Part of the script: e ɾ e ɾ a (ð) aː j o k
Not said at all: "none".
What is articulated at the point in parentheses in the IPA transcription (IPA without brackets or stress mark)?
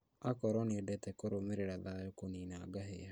ð